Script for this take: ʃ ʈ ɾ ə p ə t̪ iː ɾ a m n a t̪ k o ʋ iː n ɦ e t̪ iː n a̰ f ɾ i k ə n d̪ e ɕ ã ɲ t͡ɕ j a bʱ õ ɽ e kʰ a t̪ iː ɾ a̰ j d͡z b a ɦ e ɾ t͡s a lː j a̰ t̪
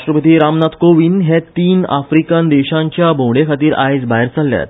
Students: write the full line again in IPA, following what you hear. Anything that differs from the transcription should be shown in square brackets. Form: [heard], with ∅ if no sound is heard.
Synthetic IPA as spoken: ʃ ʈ ɾ ə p ə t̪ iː ɾ a m n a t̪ k o ʋ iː n ɦ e t̪ iː n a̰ f ɾ i k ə n d̪ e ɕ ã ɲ t͡ɕ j a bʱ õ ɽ e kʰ a t̪ iː ɾ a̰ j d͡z b a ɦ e ɾ t͡s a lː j a̰ t̪